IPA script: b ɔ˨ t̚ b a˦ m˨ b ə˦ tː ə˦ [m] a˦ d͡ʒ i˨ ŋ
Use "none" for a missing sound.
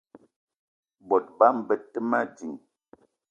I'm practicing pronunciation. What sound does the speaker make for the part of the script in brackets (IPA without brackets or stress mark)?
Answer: m